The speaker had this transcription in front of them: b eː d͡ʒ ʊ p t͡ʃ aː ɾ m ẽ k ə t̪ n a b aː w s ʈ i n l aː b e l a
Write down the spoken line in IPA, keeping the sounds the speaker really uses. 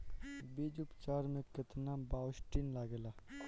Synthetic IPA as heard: b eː d͡ʒ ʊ p t͡ʃ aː ɾ m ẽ k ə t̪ n a b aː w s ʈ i n l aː ɡ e l a